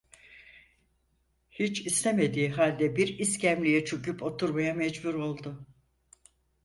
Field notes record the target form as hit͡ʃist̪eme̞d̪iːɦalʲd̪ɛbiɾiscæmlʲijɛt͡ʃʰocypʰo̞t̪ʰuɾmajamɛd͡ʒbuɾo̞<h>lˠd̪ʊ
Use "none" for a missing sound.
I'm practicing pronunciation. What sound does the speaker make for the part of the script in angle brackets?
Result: none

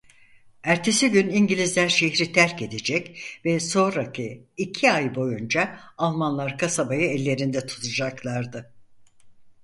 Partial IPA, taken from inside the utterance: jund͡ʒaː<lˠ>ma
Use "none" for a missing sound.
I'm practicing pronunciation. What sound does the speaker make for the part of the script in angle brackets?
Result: lˠ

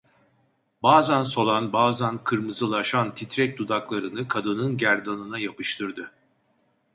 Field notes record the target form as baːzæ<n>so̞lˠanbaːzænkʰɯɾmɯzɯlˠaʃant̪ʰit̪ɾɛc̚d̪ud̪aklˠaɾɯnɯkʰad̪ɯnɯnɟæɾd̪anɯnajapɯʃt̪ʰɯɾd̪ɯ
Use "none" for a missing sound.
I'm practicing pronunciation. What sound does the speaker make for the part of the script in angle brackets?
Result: n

